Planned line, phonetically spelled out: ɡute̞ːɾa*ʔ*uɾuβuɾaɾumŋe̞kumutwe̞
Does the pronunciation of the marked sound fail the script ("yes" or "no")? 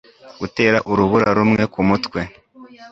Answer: no